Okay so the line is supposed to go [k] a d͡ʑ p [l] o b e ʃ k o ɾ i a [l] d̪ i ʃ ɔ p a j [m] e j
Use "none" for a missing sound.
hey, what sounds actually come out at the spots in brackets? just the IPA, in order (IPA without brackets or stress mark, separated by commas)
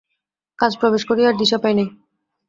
k, ɾ, ɾ, n